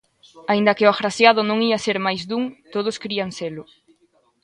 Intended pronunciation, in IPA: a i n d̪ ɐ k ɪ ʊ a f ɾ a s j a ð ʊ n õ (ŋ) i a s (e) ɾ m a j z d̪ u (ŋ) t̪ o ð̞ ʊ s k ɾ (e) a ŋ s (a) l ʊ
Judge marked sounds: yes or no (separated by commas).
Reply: yes, yes, yes, no, no